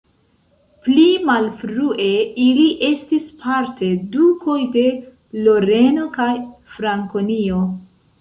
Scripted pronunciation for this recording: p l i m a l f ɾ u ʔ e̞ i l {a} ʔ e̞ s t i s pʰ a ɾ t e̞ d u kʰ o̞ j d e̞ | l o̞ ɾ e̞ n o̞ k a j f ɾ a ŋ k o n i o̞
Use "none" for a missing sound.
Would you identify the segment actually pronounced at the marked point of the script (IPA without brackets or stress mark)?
i